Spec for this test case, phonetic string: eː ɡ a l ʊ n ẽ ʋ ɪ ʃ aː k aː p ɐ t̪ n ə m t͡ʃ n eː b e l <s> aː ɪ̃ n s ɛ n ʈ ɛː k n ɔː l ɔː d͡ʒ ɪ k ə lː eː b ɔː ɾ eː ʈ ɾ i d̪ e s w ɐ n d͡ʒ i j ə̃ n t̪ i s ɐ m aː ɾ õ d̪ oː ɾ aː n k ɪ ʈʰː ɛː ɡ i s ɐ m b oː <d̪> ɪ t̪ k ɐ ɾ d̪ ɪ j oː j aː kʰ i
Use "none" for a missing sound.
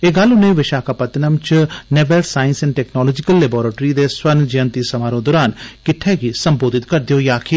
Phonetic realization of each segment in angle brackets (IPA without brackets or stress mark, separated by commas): s, d̪